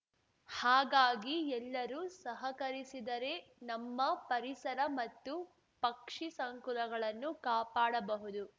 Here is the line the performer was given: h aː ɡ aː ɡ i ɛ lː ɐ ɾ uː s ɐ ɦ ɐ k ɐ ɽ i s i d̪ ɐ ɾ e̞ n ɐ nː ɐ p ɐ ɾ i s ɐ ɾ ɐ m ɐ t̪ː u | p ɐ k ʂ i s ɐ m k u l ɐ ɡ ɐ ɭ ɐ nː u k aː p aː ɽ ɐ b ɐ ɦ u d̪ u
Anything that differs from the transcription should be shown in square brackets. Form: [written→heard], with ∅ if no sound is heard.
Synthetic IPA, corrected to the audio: h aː ɡ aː ɡ i ɛ lː ɐ ɾ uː s ɐ ɦ ɐ k ɐ [ɽ→ɾ] i s i d̪ ɐ ɾ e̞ n ɐ [nː→mː] ɐ p ɐ ɾ i s ɐ ɾ ɐ m ɐ t̪ː u | p ɐ k ʂ i s ɐ [m→ŋ] k u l ɐ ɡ ɐ ɭ ɐ nː u k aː p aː ɽ ɐ b ɐ ɦ u d̪ u